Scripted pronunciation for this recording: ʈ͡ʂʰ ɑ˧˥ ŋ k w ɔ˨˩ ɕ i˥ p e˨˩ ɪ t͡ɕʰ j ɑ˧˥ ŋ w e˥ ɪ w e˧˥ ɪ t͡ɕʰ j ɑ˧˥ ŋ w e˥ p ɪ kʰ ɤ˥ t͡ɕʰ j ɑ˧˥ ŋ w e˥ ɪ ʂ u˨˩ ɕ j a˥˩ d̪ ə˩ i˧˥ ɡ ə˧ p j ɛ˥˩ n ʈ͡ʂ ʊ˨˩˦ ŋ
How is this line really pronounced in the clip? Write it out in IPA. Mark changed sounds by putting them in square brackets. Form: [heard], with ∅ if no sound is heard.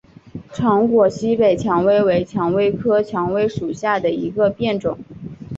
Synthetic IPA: ʈ͡ʂʰ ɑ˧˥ ŋ k w ɔ˨˩ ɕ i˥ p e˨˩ ɪ t͡ɕʰ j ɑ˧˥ ŋ w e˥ ɪ w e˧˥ ɪ t͡ɕʰ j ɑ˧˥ ŋ w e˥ [∅] ɪ kʰ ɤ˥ t͡ɕʰ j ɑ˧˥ ŋ w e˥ ɪ ʂ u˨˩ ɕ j a˥˩ d̪ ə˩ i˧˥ ɡ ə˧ p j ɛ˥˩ n ʈ͡ʂ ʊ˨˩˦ ŋ